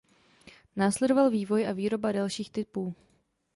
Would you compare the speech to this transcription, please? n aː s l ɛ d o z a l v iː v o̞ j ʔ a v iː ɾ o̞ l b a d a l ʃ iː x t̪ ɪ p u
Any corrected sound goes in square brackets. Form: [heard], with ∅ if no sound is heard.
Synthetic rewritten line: n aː s l ɛ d o [v] a l v iː v o̞ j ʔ a v iː ɾ o̞ [∅] b a d a l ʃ iː x t̪ ɪ p [uː]